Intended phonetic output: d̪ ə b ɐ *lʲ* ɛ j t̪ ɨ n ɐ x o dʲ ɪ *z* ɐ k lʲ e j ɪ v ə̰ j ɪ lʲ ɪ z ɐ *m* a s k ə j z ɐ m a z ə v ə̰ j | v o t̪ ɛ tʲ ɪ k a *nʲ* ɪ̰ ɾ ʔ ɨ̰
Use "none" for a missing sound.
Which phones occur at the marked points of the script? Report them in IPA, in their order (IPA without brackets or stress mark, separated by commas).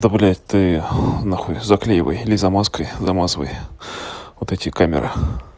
lʲ, z, m, mʲ